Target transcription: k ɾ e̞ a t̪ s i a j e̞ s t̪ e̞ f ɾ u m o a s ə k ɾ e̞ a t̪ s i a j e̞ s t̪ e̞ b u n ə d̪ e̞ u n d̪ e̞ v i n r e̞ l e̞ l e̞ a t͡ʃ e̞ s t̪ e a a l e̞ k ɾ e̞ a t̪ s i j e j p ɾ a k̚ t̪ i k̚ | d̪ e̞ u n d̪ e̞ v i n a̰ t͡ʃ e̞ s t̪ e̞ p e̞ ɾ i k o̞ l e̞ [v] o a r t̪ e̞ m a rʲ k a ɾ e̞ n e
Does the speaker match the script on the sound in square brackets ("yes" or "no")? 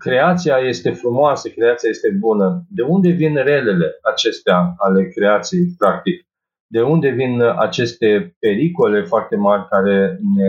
no